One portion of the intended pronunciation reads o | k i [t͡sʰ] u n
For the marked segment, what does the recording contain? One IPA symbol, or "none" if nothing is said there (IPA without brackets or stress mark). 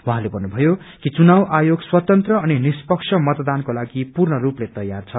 t͡s